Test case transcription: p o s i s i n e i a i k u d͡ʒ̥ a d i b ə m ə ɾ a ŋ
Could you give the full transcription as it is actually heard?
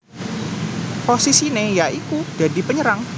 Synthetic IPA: p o s i s i n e j a i k u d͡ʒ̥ a d i p ə ɲ ə ɾ a ŋ